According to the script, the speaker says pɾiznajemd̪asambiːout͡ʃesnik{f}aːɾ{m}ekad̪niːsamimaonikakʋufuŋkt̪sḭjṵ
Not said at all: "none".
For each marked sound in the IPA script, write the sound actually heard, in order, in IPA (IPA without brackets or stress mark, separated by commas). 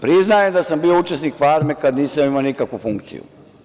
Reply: f, m